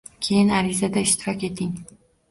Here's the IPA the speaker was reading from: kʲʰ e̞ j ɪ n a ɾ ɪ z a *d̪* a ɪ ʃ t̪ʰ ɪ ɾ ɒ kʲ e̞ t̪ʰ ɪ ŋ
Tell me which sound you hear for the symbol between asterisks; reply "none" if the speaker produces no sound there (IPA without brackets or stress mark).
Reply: d̪